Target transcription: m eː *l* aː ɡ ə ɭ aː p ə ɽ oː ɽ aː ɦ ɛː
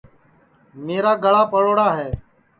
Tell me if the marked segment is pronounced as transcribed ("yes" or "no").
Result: no